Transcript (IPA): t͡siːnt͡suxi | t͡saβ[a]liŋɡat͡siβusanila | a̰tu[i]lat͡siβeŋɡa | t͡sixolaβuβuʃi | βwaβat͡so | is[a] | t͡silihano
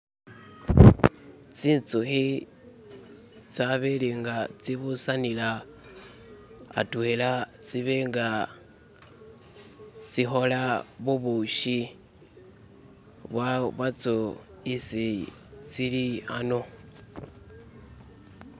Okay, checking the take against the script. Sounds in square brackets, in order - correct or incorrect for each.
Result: incorrect, incorrect, incorrect

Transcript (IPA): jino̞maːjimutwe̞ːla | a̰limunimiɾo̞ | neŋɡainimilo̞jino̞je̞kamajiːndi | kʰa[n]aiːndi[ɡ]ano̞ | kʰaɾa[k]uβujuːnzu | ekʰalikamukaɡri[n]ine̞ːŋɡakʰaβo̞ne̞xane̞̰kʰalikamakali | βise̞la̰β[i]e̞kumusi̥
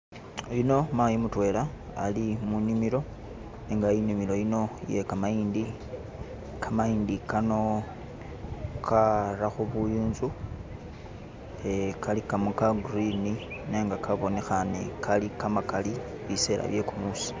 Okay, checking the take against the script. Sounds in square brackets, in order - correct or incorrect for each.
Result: incorrect, incorrect, incorrect, correct, incorrect

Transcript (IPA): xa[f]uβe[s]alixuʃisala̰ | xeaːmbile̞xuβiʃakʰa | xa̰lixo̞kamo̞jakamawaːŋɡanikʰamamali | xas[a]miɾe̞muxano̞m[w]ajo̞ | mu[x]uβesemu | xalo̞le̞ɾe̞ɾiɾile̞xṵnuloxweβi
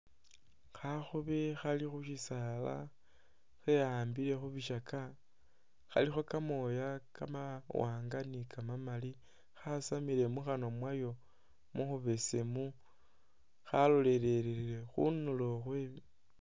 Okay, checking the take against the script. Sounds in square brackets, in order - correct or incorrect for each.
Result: incorrect, incorrect, correct, correct, correct

